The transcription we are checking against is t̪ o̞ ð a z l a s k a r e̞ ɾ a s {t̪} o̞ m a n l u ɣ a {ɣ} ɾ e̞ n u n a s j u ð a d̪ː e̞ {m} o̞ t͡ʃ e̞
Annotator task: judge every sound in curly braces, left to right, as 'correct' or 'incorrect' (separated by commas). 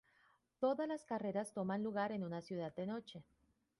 correct, incorrect, incorrect